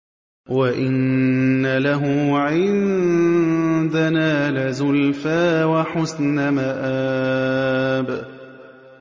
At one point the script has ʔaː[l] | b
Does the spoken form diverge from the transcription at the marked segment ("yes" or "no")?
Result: yes